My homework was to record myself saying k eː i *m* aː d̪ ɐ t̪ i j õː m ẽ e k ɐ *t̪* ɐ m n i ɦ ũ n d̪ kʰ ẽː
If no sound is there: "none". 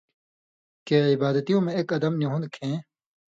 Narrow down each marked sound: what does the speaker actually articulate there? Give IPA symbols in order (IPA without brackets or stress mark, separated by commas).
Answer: b, d̪